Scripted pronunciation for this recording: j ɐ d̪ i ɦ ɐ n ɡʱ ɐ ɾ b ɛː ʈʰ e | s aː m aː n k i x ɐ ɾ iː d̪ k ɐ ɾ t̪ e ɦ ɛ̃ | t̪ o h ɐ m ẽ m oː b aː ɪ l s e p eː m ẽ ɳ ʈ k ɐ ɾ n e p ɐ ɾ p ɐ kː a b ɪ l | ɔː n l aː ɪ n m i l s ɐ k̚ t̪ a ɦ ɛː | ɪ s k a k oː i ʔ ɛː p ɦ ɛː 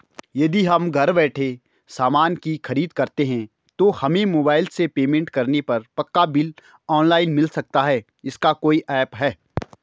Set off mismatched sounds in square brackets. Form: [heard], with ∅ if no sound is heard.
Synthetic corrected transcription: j ɐ d̪ i ɦ ɐ [m] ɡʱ ɐ ɾ b ɛː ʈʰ e | s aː m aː n k i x ɐ ɾ iː d̪ k ɐ ɾ t̪ e ɦ ɛ̃ | t̪ o h ɐ m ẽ m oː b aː ɪ l s e p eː m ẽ ɳ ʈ k ɐ ɾ n e p ɐ ɾ p ɐ kː a b ɪ l | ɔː n l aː ɪ n m [ɪ] l s ɐ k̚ t̪ a ɦ ɛː | ɪ s k a k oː i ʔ ɛː p ɦ ɛː